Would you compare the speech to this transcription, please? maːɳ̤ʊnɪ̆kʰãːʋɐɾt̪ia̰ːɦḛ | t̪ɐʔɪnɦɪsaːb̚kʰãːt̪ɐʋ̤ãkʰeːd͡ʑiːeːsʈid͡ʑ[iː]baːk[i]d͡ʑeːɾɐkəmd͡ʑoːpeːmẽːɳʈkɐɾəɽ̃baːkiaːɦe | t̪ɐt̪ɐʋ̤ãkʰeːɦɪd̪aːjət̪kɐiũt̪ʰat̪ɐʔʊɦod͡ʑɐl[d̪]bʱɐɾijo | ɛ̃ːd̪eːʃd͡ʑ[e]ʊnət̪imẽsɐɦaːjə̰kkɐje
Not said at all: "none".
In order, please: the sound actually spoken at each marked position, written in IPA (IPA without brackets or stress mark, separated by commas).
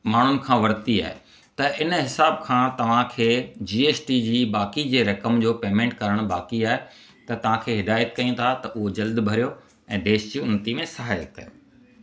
iː, i, d̪, i